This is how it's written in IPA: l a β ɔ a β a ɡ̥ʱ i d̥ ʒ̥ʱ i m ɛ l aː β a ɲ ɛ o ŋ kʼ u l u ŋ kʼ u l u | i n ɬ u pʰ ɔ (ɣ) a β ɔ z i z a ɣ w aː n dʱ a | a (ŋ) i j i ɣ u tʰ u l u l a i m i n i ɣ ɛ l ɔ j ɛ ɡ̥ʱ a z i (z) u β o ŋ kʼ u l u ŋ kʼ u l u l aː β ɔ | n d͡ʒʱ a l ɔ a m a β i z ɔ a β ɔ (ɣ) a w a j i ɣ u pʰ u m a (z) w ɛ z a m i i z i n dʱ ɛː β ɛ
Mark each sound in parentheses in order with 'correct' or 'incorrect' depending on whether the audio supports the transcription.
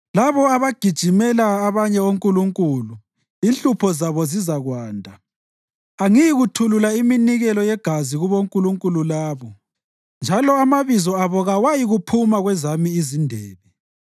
incorrect: z, correct, incorrect: ɣ, correct, incorrect: ɣ

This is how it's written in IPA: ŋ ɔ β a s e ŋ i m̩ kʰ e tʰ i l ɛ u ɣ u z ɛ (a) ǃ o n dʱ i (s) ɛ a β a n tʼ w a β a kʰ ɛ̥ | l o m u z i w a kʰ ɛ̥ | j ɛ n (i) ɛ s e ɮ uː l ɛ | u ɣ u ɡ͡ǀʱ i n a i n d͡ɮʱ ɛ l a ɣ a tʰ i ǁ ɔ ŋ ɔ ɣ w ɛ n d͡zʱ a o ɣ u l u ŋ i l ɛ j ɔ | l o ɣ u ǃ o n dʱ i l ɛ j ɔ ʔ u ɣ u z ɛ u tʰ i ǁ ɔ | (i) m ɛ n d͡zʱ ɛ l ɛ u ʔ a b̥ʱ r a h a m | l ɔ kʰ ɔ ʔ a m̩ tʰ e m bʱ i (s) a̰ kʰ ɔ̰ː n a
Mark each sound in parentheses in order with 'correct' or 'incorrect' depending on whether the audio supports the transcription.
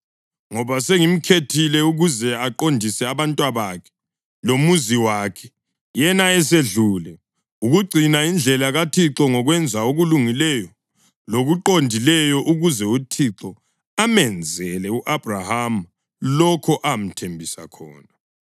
correct, correct, incorrect: a, incorrect: a, correct

